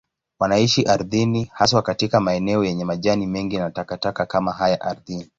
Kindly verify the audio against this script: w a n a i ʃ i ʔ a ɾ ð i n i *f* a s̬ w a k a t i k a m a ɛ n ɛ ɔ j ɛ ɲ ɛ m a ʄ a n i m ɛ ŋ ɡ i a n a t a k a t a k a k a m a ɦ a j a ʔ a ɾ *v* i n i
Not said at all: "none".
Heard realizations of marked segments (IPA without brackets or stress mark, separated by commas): h, ð